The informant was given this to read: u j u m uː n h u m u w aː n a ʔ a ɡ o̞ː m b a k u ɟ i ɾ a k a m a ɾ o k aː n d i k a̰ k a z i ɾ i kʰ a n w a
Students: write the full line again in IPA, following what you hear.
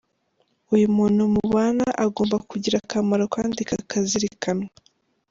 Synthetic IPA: u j u m uː n h u m u β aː n a ʔ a ɡ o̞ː m b a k u ɟ i ɾ a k a m a ɾ o k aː n d i k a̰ k a z i ɾ i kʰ a n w a